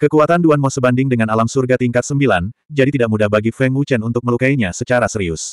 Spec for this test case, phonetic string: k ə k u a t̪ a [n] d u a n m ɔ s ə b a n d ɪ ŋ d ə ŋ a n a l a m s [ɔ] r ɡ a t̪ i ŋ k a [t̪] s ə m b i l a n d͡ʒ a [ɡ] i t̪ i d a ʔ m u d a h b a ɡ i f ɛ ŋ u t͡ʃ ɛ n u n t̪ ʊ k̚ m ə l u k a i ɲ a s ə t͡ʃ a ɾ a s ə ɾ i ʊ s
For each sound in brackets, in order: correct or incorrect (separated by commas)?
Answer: correct, incorrect, correct, incorrect